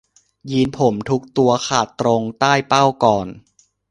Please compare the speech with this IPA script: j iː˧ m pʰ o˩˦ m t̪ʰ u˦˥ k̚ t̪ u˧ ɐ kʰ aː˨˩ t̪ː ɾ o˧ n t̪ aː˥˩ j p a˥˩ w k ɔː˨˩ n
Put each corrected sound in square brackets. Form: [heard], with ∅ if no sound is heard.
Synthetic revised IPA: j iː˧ [n] pʰ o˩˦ m t̪ʰ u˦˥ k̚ t̪ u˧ ɐ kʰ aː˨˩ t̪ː ɾ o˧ [ŋ] t̪ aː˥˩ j p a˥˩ w k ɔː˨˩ n